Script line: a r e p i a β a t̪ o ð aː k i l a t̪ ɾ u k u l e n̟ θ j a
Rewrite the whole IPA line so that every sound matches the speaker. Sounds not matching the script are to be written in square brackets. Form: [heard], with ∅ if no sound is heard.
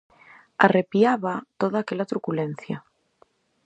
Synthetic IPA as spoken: a r e p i a β a t̪ o ð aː k [e] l a t̪ ɾ u k u l e n̟ θ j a